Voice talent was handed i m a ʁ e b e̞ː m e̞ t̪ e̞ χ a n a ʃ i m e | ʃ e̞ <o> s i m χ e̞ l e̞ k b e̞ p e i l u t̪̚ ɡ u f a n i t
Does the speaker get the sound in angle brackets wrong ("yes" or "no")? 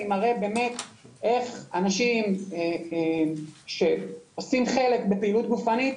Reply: no